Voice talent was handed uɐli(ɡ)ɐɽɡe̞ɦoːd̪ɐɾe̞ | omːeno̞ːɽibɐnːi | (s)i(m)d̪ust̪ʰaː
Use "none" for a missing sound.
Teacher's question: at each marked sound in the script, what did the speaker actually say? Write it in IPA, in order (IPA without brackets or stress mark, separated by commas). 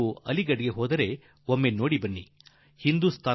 ɡ, h, n